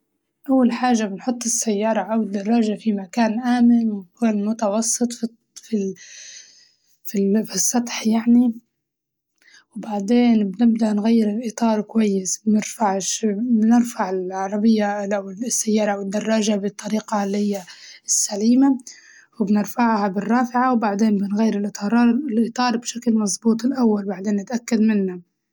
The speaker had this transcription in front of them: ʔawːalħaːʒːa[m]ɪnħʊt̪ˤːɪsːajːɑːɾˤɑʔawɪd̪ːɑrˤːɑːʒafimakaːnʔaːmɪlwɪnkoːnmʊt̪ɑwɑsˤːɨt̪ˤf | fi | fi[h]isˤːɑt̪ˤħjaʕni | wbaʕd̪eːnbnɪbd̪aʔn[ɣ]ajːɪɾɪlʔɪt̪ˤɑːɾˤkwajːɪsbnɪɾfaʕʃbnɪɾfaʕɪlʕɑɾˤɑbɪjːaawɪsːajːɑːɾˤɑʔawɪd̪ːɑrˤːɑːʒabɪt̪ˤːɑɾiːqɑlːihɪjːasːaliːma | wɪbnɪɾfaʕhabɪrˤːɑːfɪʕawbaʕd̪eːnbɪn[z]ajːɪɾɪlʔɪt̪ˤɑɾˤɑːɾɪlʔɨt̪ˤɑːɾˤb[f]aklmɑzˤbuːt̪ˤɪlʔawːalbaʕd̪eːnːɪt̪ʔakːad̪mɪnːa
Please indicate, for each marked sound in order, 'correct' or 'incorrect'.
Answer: incorrect, incorrect, correct, incorrect, incorrect

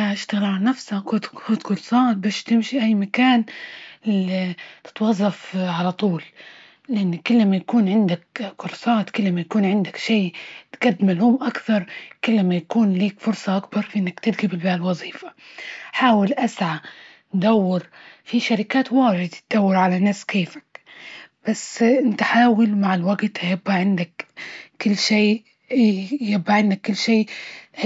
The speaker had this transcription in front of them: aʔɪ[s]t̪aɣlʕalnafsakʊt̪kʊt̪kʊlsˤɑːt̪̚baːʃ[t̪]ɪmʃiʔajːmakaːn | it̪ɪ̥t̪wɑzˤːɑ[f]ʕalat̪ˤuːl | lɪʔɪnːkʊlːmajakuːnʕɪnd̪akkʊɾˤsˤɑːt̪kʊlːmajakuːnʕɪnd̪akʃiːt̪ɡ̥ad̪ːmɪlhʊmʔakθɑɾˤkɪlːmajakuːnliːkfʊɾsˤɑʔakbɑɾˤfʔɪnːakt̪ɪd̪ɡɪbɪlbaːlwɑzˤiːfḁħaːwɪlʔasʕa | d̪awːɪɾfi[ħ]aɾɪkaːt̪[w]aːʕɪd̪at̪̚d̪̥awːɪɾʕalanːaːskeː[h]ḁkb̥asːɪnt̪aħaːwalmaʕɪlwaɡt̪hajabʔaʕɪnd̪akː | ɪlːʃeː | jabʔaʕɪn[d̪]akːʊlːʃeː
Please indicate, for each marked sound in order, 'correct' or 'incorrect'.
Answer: incorrect, correct, correct, incorrect, correct, incorrect, correct

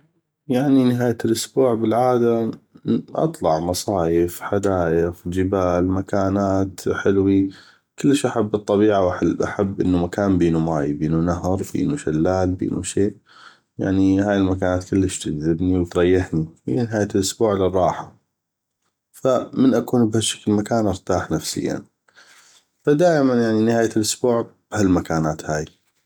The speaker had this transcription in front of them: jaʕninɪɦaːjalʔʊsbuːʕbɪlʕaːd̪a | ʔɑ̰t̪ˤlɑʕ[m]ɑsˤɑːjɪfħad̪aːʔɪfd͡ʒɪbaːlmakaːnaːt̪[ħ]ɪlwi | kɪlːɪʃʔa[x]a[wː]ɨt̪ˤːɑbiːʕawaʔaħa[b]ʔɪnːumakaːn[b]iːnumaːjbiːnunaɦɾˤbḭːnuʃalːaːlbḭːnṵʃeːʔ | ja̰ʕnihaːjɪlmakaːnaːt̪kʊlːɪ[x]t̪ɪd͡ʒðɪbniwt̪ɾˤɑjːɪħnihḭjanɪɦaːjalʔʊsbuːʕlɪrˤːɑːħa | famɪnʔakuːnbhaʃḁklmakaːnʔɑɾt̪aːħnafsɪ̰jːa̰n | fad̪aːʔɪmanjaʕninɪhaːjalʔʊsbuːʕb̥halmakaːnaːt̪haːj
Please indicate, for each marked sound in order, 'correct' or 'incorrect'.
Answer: correct, correct, incorrect, incorrect, incorrect, correct, incorrect

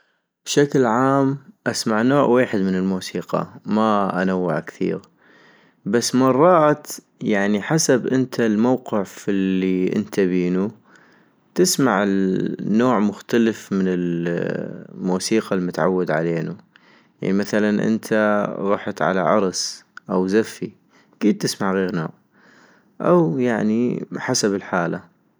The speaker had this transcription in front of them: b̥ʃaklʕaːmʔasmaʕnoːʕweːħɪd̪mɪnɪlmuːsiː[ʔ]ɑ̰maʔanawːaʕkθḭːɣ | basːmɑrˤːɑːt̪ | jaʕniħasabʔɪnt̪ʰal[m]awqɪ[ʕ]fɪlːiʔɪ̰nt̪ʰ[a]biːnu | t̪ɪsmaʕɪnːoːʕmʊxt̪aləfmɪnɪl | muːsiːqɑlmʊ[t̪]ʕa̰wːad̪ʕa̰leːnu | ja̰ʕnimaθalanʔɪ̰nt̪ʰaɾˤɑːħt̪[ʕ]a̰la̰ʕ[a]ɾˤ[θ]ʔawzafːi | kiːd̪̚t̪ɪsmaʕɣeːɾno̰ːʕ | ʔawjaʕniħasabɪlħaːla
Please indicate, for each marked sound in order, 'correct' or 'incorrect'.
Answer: incorrect, correct, correct, correct, correct, correct, incorrect, incorrect

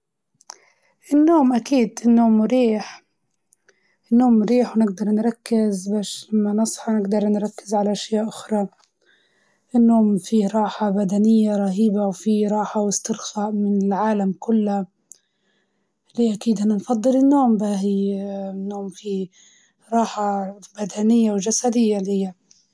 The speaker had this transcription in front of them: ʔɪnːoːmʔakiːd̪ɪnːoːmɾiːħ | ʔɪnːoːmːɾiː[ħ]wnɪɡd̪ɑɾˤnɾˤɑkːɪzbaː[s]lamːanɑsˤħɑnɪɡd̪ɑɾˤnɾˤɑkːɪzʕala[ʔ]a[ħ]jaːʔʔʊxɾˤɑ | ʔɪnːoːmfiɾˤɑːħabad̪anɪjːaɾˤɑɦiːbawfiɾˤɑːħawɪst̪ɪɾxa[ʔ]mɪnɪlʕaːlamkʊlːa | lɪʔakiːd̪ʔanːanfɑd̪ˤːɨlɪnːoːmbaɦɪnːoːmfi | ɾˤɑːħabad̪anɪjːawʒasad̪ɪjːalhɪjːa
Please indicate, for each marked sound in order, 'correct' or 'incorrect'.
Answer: correct, incorrect, correct, incorrect, correct

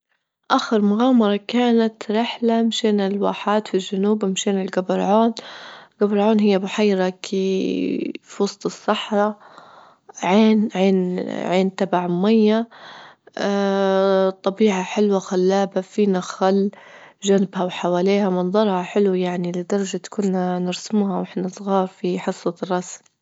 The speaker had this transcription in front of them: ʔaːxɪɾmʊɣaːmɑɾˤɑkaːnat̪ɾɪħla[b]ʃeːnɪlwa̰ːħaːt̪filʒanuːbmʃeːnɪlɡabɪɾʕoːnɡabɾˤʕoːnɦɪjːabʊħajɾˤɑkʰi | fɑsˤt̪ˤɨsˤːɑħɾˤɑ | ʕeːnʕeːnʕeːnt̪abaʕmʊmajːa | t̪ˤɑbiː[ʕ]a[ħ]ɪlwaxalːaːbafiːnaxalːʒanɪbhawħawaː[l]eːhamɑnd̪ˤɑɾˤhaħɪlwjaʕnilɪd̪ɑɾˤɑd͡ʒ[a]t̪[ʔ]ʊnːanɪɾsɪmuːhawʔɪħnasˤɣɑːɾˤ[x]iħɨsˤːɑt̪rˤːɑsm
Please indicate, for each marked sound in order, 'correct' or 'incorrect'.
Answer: incorrect, correct, correct, correct, correct, incorrect, incorrect

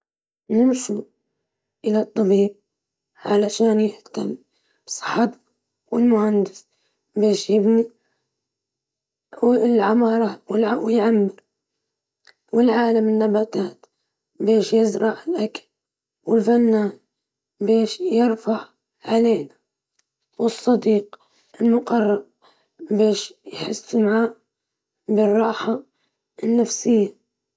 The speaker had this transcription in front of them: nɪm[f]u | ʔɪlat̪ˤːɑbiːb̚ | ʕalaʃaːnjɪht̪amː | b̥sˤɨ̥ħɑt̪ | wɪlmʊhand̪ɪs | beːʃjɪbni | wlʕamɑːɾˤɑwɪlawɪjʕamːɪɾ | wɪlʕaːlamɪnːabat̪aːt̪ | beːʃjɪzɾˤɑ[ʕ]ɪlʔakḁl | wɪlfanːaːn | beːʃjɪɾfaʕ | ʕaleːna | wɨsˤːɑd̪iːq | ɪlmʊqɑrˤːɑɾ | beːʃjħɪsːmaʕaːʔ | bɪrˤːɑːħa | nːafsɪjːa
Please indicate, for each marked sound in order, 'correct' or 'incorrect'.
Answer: incorrect, correct

